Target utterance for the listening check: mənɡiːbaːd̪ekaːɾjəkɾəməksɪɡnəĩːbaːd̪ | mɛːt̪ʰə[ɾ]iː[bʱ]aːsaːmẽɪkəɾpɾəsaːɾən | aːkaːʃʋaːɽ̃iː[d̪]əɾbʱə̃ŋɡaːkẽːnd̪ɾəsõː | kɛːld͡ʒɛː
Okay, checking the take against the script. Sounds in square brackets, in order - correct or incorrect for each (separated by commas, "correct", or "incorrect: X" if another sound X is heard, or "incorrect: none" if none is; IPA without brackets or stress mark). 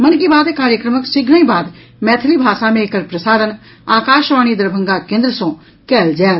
incorrect: l, correct, correct